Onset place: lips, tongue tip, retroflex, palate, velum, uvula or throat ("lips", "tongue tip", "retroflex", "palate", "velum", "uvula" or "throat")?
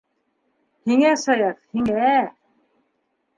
throat